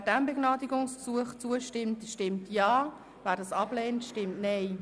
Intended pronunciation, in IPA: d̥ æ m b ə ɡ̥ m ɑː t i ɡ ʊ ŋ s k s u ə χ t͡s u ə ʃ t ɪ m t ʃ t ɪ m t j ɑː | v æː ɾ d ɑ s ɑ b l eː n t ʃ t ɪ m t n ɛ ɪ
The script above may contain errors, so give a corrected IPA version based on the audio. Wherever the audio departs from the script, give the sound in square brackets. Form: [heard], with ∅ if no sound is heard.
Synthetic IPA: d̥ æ m b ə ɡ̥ [n] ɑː [d] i ɡ ʊ ŋ s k s u ə χ t͡s u ə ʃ t ɪ m t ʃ t ɪ m t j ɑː | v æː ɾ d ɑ s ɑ b l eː n t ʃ t ɪ m t n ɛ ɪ